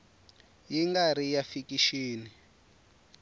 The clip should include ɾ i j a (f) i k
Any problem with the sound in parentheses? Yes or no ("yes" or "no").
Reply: no